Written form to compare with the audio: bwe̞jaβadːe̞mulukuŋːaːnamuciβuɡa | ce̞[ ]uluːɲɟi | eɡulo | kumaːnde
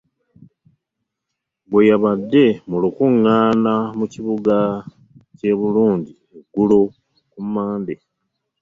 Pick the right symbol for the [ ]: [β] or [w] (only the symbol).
β